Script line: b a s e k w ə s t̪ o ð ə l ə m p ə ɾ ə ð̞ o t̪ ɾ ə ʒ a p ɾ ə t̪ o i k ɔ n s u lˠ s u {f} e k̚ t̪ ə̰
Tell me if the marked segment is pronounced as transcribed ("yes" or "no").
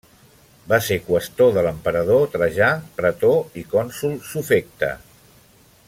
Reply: yes